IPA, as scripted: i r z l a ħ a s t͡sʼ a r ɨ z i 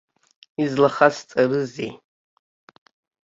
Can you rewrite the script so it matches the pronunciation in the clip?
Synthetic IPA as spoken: i z l a χ a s t͡sʼ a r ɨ z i